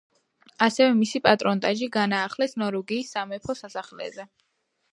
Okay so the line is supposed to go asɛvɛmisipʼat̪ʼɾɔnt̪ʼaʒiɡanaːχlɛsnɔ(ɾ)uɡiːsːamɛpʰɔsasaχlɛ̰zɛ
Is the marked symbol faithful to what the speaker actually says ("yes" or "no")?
yes